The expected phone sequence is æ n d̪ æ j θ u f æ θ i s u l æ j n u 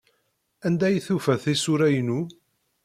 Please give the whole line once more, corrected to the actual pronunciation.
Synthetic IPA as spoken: æ n d̪ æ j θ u f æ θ i s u ɾ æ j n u